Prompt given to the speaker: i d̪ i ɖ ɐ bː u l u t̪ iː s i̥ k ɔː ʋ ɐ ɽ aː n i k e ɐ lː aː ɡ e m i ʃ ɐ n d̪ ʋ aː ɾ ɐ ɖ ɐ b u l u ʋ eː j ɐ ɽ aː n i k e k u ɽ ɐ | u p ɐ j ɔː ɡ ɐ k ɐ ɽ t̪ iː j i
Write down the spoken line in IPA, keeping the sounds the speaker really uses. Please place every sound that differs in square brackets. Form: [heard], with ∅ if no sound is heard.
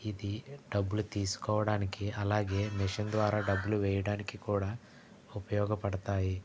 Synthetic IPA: i d̪ i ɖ ɐ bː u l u t̪ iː s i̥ k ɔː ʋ ɐ ɽ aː n i k e ɐ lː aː ɡ e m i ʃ ɐ n d̪ ʋ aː ɾ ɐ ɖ ɐ b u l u ʋ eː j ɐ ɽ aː n i k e k [uː] ɽ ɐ | u p ɐ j ɔː ɡ ɐ [p] ɐ ɽ t̪ [aː] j i